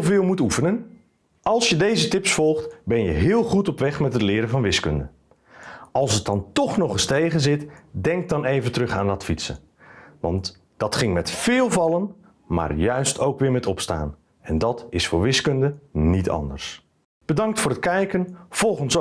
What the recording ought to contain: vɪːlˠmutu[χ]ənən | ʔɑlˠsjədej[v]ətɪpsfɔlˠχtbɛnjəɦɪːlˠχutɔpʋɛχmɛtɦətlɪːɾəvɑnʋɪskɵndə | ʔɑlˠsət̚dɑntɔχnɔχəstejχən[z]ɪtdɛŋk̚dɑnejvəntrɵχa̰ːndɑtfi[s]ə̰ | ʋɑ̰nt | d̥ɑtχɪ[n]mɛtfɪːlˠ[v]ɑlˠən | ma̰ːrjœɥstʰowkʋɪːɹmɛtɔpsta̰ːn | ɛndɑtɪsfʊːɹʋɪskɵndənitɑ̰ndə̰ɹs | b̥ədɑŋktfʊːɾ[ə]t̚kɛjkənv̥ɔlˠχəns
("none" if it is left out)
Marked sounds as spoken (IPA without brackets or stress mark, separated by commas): f, z, z, s, ŋ, v, ə